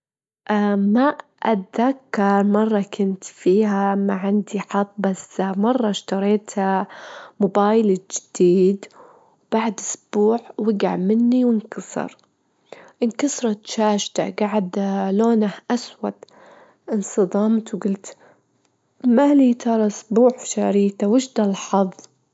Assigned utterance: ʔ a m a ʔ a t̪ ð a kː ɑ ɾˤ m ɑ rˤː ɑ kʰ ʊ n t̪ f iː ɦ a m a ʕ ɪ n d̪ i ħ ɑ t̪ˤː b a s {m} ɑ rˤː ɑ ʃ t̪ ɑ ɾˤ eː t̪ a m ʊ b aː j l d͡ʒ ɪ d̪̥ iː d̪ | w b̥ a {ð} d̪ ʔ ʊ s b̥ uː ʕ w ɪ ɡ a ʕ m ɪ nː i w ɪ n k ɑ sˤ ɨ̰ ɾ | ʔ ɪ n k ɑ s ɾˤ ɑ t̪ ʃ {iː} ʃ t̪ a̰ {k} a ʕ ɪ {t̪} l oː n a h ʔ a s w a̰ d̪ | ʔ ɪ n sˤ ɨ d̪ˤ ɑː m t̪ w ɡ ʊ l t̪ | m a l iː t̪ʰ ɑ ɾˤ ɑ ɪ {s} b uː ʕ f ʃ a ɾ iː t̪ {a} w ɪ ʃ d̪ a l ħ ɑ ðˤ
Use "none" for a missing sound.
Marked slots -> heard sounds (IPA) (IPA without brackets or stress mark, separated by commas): m, ʕ, aː, ɡ, d̪, s, a